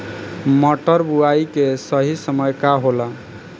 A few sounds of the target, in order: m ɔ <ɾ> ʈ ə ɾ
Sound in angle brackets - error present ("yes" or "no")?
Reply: yes